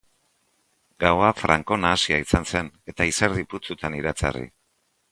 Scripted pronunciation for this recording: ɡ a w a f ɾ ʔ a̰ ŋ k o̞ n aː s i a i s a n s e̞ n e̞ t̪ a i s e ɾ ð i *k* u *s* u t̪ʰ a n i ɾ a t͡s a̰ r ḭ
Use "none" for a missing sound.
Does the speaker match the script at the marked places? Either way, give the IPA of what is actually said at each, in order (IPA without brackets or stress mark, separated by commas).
p, t͡s